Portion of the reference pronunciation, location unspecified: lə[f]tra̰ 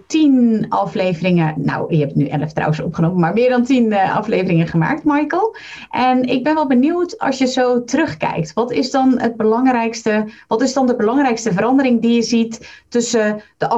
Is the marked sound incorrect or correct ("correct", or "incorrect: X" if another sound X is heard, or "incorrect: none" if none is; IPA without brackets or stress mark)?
correct